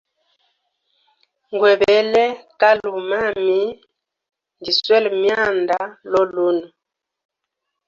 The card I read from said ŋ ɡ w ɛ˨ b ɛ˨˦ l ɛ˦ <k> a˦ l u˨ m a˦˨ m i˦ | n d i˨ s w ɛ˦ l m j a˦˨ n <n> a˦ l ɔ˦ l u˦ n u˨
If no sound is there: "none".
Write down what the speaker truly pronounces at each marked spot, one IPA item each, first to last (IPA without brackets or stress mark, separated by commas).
k, d